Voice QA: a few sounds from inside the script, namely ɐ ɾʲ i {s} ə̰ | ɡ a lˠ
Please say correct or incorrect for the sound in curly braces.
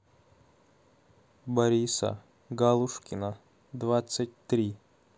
correct